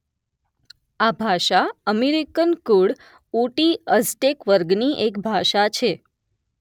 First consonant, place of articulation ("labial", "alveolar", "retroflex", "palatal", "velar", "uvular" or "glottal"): labial